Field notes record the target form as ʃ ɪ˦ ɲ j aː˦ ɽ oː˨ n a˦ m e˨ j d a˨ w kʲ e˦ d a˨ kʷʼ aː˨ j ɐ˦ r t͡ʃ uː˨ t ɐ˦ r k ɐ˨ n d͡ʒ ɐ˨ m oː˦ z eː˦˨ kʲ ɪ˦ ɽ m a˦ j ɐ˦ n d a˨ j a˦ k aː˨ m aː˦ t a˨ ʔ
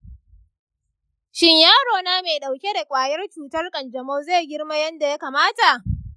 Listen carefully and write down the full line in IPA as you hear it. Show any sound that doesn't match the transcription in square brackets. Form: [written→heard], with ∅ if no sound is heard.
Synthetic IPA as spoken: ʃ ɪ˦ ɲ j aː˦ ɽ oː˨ n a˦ m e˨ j [d→ɗ] a˨ w kʲ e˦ d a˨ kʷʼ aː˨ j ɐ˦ r t͡ʃ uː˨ t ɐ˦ r [k→kʼ] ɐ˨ n d͡ʒ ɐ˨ m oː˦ z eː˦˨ [kʲ→ɡʲ] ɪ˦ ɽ m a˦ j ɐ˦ n d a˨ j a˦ k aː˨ m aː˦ t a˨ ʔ